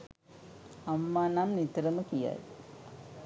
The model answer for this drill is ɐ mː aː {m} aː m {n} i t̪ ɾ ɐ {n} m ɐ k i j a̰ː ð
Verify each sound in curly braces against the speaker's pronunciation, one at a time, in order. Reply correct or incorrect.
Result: incorrect: n, correct, incorrect: none

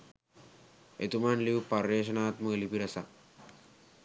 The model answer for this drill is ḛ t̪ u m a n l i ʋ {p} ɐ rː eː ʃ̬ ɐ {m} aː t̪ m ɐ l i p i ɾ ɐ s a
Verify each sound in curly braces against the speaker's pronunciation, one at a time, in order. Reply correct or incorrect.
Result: correct, incorrect: n

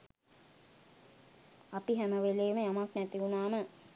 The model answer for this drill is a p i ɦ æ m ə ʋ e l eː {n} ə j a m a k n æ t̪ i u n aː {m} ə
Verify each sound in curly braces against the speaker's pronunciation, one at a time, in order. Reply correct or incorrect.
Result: incorrect: m, correct

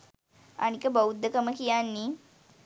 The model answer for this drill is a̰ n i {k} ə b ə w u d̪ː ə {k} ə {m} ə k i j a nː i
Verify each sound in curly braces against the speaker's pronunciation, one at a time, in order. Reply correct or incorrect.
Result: correct, correct, correct

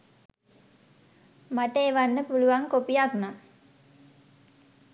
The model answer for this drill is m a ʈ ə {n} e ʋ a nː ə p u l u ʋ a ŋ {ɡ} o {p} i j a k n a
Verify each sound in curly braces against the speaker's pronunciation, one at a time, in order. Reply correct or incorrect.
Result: incorrect: none, incorrect: k, correct

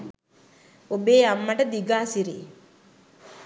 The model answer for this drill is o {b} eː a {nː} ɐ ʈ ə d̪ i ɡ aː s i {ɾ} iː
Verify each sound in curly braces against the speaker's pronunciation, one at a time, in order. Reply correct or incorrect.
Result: correct, incorrect: mː, correct

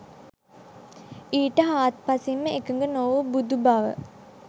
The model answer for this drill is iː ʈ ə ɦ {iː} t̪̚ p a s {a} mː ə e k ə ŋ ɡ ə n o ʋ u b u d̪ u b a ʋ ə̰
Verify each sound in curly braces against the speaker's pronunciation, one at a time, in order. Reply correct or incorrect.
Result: incorrect: aː, incorrect: i

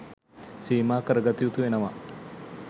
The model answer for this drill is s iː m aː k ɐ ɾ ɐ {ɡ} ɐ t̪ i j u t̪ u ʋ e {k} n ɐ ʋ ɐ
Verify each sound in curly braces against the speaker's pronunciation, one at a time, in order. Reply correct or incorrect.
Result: correct, incorrect: none

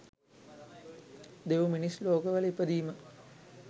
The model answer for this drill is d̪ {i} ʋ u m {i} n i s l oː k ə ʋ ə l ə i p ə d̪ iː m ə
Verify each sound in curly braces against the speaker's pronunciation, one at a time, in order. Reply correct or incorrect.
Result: incorrect: e, correct

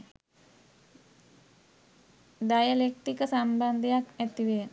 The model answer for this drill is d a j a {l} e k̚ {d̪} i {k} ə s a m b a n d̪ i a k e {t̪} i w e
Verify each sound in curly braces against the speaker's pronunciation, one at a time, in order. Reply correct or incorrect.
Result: correct, incorrect: t̪, correct, correct

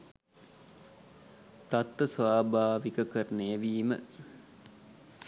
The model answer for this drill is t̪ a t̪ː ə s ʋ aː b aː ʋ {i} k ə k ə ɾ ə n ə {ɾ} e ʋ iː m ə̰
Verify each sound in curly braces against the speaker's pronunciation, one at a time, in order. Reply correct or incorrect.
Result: correct, incorrect: none

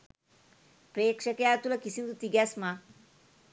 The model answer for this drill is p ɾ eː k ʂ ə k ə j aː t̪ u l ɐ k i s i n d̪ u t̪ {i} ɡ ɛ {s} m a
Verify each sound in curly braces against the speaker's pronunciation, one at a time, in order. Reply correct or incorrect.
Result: correct, correct

